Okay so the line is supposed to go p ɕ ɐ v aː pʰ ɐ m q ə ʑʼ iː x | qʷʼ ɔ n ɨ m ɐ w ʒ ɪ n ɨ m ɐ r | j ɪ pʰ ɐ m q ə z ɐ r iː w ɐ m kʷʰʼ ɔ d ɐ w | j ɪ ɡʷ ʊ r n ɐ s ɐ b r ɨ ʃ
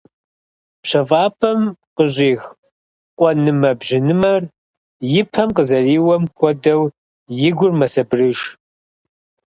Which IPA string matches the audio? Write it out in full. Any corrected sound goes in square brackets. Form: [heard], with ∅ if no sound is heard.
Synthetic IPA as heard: p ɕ ɐ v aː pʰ ɐ m q ə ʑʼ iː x | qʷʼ ɔ n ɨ m ɐ [b] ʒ ɪ n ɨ m ɐ r | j ɪ pʰ ɐ m q ə z ɐ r iː w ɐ m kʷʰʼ ɔ d ɐ w | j ɪ ɡʷ ʊ r [m] ɐ s ɐ b r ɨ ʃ